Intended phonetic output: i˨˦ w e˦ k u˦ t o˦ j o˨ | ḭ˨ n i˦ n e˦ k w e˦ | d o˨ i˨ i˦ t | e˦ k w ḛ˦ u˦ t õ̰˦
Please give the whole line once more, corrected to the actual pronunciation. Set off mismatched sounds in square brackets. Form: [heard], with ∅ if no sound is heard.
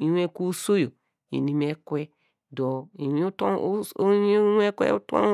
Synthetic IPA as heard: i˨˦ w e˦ k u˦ [s] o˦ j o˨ | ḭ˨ n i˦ [m] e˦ k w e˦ | d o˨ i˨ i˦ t | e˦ k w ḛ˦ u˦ t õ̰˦

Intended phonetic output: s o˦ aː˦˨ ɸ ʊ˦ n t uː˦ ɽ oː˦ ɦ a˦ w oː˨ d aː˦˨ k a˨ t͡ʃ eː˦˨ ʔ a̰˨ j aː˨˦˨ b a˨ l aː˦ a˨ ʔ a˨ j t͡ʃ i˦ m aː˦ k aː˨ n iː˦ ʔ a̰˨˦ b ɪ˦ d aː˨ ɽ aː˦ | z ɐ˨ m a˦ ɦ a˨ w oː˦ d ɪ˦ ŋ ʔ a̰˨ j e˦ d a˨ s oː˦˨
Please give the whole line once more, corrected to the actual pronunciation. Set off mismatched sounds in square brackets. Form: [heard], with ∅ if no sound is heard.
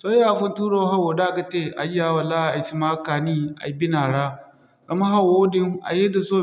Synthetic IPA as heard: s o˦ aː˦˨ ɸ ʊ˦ n t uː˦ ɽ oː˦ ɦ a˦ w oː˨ d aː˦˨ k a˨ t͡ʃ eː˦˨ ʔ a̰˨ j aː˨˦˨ [w] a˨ l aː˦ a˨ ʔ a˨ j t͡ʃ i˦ m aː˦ k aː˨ n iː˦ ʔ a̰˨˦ b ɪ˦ [n] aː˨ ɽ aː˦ | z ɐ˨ m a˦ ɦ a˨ w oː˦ d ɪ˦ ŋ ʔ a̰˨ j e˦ d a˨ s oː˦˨

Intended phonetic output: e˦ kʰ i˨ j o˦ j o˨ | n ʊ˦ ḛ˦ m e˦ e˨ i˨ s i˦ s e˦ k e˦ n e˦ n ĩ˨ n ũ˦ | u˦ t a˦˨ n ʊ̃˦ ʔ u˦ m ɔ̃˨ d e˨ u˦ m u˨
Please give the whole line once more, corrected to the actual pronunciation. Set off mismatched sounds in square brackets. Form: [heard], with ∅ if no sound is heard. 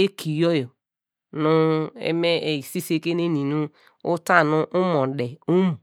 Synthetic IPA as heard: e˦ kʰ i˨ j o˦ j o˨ | n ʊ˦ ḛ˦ m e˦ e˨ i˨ s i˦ s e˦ k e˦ n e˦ n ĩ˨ n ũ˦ | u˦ t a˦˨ n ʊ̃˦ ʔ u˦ m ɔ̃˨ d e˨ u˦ m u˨

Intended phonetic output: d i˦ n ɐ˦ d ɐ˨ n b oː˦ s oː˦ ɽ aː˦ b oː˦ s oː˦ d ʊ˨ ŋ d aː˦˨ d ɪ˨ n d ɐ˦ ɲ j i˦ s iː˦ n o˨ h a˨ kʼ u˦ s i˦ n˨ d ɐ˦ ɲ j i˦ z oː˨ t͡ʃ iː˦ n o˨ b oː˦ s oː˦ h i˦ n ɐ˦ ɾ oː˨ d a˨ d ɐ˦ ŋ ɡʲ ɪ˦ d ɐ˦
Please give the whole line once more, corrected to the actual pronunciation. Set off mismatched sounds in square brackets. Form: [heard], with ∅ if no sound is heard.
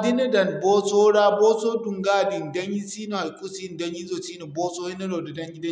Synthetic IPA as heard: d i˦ n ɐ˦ d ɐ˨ n b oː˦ s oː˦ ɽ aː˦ b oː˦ s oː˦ d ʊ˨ ŋ [ɡ] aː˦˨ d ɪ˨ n d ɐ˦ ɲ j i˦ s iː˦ n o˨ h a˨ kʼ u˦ s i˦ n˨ d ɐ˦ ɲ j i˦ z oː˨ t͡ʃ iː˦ n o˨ b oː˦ s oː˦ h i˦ n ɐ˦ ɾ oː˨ d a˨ d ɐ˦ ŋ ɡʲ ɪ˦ d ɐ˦

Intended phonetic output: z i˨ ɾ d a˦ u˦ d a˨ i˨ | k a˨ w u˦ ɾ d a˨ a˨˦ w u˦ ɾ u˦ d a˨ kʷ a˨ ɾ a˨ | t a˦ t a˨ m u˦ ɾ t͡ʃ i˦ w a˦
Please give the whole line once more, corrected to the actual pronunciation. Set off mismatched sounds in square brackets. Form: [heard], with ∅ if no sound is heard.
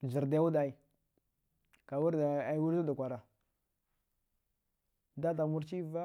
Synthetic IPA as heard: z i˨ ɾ d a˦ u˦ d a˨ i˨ | k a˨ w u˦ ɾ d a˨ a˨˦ w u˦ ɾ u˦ d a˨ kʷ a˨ ɾ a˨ | [d] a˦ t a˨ m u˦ ɾ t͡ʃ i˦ [v] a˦

